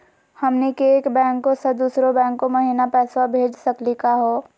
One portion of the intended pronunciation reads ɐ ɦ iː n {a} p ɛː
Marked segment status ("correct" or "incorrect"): correct